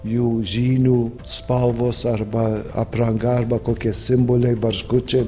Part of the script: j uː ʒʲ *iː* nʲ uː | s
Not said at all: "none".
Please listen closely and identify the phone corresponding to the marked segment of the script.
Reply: iː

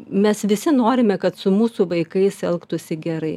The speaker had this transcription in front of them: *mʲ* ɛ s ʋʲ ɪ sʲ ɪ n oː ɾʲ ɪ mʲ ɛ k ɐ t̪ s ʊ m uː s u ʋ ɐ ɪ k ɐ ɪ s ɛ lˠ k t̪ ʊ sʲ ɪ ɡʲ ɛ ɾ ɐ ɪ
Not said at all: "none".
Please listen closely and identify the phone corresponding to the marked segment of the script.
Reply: mʲ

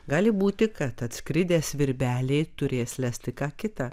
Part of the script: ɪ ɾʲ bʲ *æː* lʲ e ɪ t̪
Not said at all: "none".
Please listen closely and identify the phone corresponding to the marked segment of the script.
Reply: æː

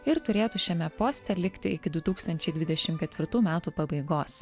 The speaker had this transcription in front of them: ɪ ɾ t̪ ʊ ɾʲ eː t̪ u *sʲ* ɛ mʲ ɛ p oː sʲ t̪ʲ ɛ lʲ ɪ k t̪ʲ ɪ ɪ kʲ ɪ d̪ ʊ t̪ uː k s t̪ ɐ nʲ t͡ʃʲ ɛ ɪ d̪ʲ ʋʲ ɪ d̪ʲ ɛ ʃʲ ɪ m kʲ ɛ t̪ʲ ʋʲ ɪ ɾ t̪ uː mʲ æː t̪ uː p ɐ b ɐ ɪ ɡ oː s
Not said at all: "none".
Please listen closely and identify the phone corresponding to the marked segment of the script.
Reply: ʃʲ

